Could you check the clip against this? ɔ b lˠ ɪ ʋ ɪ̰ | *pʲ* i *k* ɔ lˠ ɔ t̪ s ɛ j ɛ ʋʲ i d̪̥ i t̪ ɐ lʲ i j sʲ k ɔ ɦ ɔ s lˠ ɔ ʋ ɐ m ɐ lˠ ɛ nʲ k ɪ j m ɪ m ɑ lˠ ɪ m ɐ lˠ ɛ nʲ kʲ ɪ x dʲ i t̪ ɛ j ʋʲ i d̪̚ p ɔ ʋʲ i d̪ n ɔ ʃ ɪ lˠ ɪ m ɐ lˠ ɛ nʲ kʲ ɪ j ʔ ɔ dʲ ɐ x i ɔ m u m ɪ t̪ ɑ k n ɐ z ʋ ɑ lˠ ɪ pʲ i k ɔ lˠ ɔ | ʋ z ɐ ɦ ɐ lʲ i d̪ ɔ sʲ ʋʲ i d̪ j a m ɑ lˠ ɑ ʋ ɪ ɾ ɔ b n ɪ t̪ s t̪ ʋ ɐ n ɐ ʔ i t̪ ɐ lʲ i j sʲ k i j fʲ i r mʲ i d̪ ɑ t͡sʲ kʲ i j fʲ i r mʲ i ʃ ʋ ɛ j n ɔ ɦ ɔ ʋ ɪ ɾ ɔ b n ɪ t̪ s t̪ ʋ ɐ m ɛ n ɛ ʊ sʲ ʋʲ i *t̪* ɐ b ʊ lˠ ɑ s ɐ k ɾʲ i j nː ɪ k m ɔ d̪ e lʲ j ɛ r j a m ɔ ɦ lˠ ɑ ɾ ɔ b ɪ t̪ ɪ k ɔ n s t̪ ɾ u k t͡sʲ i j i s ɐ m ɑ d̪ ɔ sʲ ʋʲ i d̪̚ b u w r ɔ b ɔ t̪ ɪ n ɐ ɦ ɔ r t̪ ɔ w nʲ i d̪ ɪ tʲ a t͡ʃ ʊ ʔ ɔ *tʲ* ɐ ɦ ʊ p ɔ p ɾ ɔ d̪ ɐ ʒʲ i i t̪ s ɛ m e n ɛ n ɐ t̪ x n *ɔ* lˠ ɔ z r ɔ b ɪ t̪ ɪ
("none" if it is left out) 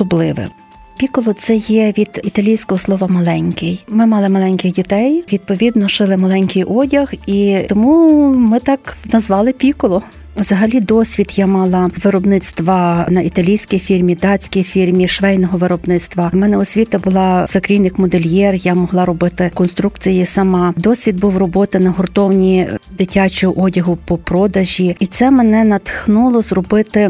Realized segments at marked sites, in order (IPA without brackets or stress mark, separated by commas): pʲ, k, t̪, dʲ, u